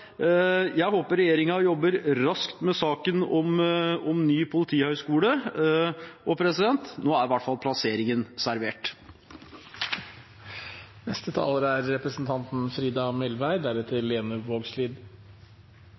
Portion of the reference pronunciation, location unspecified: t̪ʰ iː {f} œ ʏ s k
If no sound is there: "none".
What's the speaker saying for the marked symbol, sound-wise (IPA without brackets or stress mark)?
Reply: h